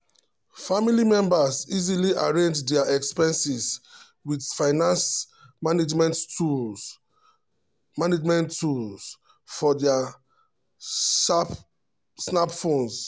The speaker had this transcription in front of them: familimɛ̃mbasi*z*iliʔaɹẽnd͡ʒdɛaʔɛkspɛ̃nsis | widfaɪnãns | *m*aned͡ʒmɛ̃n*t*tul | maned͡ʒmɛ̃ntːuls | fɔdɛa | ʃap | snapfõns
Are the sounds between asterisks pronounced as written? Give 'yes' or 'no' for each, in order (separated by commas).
yes, yes, yes